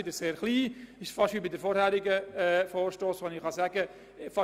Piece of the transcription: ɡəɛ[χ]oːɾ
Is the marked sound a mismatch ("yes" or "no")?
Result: yes